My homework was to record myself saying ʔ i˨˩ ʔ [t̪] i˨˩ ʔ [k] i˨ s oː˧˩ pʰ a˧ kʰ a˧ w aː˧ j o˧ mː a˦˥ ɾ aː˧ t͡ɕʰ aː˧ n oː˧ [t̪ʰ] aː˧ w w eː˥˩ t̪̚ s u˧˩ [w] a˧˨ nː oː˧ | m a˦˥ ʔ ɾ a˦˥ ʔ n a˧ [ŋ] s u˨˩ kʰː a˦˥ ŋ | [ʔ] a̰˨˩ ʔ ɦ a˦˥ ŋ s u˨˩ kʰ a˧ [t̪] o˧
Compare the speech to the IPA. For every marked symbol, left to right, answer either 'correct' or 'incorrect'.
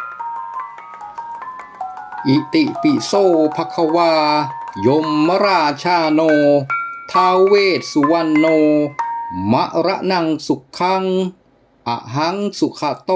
correct, incorrect, correct, correct, correct, correct, correct

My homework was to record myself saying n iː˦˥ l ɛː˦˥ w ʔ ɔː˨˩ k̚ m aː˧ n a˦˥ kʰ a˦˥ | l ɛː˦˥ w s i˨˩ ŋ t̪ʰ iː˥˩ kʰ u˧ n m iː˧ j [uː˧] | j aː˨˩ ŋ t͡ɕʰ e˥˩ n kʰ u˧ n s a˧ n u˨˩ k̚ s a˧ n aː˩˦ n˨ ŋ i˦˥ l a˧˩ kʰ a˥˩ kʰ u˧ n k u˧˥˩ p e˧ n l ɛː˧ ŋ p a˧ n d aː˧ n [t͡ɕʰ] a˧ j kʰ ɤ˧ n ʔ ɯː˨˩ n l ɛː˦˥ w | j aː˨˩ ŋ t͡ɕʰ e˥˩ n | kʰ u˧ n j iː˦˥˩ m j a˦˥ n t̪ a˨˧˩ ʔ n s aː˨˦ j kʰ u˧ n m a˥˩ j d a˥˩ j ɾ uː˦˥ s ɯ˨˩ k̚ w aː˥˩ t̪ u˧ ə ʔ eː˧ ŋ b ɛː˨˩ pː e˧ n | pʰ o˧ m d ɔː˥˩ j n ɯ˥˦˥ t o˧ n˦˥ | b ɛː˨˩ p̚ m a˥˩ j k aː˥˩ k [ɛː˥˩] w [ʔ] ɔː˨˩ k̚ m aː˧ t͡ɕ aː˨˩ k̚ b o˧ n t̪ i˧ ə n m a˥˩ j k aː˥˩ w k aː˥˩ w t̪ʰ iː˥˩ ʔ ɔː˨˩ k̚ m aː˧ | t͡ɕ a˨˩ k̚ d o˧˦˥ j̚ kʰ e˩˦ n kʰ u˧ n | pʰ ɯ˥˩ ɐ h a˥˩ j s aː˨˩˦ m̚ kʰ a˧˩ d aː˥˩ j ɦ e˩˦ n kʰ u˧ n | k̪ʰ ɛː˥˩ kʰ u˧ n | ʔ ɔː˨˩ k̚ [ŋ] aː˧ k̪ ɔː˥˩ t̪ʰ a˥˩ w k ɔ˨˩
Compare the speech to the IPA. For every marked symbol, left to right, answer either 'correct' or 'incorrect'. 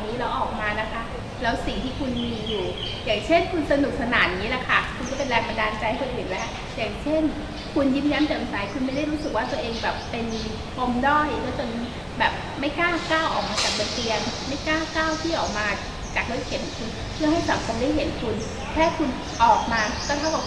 incorrect, incorrect, incorrect, correct, incorrect

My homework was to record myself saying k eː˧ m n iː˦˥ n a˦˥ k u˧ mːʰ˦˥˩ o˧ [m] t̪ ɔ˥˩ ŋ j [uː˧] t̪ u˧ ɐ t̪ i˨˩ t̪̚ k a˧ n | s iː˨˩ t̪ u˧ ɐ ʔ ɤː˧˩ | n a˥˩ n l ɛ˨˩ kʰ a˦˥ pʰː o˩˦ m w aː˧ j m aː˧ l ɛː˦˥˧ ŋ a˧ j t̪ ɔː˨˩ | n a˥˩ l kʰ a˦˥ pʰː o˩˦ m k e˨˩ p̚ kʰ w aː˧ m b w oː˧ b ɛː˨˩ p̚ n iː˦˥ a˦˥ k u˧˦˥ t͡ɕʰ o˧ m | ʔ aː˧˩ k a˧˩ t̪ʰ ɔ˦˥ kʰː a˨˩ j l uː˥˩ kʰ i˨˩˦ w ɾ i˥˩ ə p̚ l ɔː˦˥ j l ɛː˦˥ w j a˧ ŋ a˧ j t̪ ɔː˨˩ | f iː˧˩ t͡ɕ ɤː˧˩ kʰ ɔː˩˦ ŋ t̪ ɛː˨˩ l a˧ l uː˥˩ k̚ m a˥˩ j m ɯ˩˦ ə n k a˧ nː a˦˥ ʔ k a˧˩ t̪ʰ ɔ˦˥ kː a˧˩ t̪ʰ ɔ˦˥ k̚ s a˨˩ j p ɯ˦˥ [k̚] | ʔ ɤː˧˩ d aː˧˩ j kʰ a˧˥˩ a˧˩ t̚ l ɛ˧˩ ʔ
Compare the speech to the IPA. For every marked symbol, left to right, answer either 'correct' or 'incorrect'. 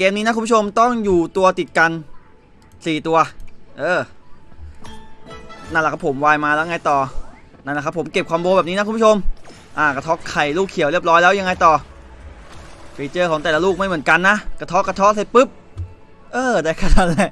correct, incorrect, incorrect

